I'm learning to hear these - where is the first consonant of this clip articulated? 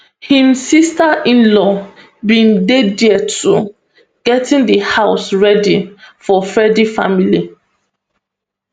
throat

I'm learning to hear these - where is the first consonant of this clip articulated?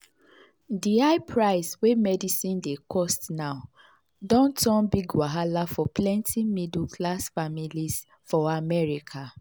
tongue tip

